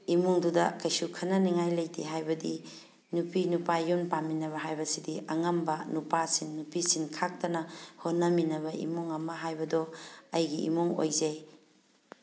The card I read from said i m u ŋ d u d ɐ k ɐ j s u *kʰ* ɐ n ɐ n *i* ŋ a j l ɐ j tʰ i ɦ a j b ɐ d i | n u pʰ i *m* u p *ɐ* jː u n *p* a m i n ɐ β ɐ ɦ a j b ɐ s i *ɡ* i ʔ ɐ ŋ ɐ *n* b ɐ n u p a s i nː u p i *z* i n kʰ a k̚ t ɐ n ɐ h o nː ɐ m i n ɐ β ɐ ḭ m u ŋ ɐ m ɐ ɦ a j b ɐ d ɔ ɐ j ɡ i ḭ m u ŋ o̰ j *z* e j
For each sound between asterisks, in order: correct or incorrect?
correct, correct, incorrect, incorrect, correct, incorrect, incorrect, incorrect, correct

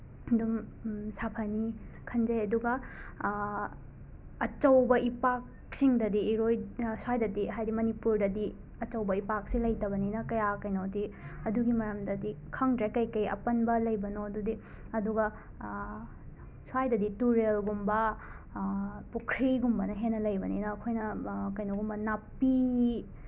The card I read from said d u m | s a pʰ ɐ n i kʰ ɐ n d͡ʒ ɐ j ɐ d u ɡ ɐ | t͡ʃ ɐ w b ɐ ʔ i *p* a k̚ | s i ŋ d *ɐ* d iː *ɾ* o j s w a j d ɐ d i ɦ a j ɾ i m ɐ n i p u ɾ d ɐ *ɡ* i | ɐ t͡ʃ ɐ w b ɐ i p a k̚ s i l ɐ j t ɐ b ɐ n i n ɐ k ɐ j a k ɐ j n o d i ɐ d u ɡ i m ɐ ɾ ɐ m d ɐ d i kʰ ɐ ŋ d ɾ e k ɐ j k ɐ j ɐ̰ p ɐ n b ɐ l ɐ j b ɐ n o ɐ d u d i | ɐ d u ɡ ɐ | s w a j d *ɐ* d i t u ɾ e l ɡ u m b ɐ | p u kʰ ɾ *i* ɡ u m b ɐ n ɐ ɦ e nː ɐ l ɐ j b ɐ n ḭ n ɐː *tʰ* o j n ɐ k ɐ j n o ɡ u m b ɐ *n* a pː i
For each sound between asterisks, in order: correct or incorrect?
correct, correct, correct, incorrect, correct, correct, incorrect, correct

